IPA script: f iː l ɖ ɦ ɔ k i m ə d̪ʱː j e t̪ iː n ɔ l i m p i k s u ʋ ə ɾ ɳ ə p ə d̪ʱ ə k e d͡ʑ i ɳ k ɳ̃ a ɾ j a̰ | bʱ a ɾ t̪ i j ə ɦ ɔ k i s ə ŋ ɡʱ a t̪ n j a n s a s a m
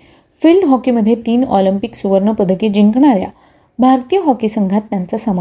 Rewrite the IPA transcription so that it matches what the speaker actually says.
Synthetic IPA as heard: f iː l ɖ ɦ ɔ k i m ə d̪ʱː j e t̪ iː n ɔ l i m p i k s u ʋ ə ɾ ɳ ə p ə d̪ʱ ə k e d͡ʑ i ŋ k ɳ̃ a ɾ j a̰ | bʱ a ɾ t̪ i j ə ɦ ɔ k i s ə ŋ ɡʱ a t̪ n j a n t͡s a s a m